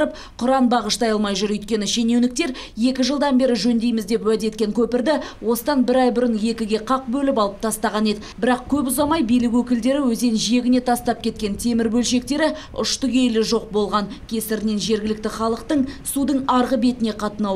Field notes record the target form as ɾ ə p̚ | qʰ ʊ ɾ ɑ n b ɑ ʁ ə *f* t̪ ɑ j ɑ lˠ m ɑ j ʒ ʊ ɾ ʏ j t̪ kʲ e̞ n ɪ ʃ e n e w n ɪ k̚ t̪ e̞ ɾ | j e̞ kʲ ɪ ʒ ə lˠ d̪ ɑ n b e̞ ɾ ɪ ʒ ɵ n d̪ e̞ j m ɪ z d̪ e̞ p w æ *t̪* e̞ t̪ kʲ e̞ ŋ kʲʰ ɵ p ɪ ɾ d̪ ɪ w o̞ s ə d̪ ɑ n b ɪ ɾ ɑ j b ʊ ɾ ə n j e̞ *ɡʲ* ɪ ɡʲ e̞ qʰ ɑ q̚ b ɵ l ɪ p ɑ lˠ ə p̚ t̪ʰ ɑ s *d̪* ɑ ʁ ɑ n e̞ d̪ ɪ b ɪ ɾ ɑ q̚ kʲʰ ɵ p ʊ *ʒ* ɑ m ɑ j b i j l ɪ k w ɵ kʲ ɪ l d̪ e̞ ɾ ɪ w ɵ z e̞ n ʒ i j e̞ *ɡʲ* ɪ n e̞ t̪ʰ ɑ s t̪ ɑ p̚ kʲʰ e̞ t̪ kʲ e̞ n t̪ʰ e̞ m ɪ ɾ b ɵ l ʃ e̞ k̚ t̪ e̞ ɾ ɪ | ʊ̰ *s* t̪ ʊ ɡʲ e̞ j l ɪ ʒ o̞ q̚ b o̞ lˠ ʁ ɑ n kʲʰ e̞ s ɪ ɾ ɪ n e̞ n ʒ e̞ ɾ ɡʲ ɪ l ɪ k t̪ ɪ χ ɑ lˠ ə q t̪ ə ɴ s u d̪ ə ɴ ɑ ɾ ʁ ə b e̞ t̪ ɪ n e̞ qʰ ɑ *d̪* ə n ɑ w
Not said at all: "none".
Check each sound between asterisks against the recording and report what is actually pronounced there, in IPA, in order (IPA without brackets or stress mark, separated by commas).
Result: ʃ, d̪, kʲ, t̪, z, ɡʲ, ʃ, t̪